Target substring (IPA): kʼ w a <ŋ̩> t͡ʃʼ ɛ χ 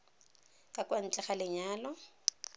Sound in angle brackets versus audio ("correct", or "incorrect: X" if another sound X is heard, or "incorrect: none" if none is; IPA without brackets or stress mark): incorrect: n̩